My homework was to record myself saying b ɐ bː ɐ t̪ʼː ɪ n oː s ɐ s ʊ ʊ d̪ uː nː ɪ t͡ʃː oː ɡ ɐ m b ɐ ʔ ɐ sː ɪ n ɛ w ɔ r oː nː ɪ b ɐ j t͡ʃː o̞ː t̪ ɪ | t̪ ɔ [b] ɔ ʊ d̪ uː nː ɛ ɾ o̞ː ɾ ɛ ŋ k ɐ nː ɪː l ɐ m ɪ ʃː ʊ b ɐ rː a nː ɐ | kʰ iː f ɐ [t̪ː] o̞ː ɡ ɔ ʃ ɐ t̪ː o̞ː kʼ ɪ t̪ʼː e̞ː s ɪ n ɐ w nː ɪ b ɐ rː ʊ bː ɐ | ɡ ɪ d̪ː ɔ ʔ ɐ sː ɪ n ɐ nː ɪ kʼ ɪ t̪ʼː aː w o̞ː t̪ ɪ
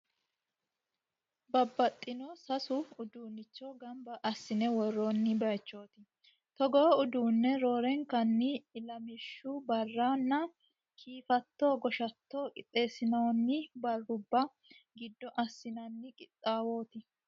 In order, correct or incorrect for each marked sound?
incorrect: ɡ, correct

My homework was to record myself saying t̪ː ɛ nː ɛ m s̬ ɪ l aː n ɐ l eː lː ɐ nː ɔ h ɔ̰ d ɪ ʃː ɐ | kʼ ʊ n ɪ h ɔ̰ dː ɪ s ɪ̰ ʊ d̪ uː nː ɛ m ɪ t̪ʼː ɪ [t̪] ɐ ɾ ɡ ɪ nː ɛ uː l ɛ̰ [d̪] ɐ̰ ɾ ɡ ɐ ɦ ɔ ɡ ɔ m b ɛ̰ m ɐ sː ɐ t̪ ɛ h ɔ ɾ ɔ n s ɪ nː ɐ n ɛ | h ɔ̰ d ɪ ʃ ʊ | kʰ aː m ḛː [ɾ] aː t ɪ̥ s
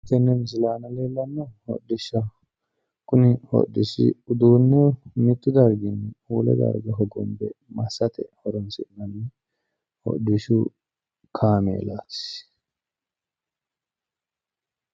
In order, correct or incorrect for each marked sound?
incorrect: d̪, correct, incorrect: l

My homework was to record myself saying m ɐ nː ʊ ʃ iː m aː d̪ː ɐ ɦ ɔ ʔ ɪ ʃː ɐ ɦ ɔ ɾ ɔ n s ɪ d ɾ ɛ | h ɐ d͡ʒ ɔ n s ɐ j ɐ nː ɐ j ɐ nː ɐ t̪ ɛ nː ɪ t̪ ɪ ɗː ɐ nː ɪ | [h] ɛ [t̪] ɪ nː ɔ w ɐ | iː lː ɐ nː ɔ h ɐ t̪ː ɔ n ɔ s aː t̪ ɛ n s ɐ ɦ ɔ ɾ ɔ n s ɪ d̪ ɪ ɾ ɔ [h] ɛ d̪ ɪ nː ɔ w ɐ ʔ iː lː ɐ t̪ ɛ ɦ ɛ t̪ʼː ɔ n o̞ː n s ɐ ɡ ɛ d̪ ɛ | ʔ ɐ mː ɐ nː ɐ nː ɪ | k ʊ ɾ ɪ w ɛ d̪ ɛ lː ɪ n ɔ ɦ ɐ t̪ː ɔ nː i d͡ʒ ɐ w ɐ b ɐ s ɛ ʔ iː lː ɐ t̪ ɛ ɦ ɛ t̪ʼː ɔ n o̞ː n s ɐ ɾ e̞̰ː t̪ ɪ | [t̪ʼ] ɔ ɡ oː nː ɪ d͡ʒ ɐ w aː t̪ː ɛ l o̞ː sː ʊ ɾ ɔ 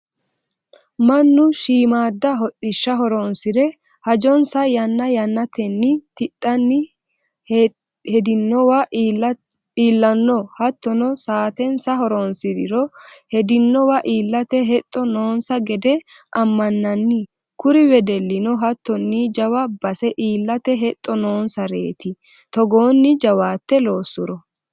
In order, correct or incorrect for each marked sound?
correct, incorrect: d̪, correct, incorrect: t̪

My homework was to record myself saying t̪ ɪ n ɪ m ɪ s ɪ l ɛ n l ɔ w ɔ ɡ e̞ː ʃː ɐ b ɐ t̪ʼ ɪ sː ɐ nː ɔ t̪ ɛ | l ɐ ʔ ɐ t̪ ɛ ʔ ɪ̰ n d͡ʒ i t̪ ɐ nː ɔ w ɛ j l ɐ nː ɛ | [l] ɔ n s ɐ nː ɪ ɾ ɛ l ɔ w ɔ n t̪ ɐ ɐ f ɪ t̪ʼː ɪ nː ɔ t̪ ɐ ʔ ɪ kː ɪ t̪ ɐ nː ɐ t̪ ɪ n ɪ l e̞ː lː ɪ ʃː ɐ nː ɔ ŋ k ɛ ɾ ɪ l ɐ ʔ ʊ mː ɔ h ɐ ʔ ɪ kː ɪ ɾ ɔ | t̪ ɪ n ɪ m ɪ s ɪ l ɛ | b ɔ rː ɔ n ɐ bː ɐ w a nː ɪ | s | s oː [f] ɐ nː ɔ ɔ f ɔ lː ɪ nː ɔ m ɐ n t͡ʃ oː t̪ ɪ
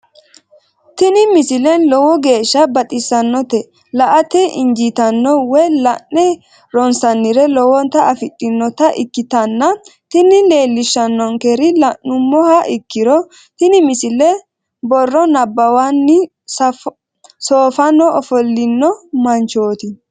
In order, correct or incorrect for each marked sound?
incorrect: ɾ, correct

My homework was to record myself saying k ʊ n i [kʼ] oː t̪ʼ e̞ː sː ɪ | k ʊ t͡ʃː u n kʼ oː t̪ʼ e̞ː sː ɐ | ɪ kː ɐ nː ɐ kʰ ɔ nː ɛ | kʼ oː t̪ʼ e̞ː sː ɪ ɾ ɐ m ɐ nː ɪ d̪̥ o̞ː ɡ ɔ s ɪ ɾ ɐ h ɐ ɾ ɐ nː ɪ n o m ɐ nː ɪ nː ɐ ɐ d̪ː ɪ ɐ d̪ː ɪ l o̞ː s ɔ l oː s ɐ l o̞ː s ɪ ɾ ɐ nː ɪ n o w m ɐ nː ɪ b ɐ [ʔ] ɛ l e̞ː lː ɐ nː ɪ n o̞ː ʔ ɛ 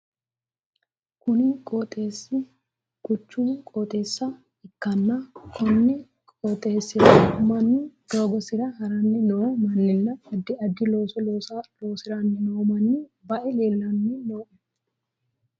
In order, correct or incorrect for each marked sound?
correct, correct

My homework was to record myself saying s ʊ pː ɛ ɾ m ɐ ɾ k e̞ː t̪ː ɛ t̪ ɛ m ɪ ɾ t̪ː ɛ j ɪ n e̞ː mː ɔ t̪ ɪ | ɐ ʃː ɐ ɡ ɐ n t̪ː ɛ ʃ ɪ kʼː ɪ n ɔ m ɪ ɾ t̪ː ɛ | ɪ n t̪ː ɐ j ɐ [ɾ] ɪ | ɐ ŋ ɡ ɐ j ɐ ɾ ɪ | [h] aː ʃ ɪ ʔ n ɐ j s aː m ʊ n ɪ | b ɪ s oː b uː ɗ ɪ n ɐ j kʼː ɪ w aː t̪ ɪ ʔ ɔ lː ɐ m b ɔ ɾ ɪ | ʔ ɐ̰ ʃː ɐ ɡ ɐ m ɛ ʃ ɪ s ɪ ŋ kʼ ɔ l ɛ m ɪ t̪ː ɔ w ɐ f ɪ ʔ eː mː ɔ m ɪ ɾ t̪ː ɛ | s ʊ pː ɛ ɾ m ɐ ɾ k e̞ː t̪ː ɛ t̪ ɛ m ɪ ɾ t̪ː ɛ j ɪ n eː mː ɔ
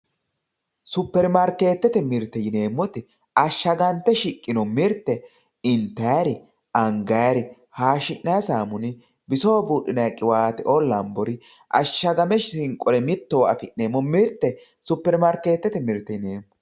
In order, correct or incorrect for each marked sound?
correct, correct

